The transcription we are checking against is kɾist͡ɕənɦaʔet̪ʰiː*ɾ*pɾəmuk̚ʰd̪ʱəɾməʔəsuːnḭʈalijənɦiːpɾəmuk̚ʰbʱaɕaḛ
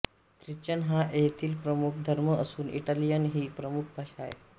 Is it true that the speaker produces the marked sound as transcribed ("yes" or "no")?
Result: no